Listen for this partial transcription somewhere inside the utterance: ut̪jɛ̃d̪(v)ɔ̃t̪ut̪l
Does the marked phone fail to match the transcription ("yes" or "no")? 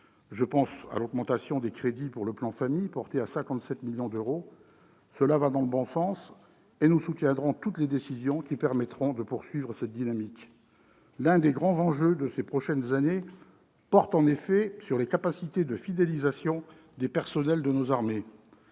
yes